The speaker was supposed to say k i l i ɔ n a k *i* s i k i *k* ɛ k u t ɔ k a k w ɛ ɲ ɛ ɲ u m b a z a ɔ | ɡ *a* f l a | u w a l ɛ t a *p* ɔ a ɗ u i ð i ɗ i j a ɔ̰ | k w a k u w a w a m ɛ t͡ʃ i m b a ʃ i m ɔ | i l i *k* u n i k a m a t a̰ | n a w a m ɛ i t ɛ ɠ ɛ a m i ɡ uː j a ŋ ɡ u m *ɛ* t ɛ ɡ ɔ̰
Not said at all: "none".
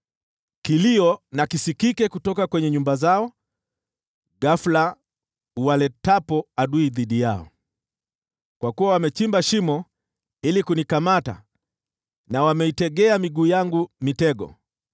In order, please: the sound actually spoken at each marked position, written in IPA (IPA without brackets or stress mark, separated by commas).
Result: i, k, a, p, k, i